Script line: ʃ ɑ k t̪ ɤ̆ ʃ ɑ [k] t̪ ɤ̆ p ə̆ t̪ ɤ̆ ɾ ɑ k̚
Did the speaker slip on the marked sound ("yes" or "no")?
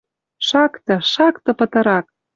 no